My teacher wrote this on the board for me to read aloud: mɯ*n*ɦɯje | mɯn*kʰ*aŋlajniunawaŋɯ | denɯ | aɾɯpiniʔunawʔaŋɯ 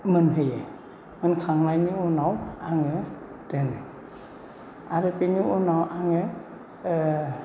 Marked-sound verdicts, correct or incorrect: correct, correct

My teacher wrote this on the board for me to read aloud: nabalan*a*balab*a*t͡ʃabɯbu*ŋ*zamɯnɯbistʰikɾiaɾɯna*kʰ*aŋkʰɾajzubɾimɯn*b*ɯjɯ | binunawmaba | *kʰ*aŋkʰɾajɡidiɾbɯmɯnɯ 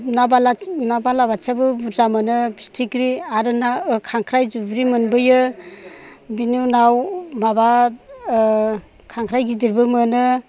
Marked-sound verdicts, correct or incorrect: correct, correct, incorrect: none, correct, correct, correct

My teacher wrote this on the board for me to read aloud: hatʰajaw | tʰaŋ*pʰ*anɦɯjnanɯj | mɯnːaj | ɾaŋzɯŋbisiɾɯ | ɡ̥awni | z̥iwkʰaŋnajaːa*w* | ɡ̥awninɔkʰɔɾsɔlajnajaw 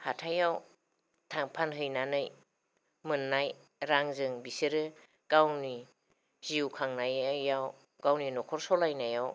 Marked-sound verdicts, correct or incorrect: correct, correct

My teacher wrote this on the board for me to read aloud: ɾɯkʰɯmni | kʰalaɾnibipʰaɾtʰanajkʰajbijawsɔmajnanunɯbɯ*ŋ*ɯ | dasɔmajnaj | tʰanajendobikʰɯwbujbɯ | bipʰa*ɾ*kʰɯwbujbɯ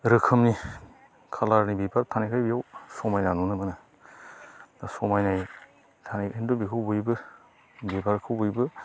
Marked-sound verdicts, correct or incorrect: incorrect: n, correct

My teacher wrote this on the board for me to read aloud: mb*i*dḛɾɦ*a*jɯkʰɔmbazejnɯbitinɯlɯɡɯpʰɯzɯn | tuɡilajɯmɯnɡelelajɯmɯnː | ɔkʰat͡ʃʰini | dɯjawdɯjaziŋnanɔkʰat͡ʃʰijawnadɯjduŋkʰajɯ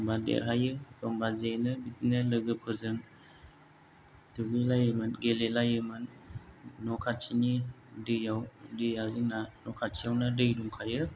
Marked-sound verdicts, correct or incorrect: incorrect: a, correct

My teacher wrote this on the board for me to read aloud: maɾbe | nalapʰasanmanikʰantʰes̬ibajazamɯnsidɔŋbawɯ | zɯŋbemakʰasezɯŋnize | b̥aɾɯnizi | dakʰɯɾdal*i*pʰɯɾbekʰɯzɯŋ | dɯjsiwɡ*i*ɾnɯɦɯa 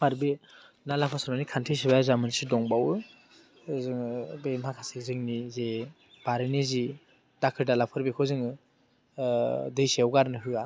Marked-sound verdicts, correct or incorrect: incorrect: a, incorrect: a

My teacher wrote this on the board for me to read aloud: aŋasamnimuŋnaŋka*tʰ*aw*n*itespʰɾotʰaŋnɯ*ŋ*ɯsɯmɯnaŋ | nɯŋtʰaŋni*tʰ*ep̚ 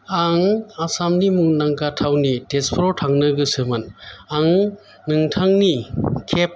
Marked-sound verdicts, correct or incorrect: correct, correct, incorrect: ɡ, incorrect: kʰ

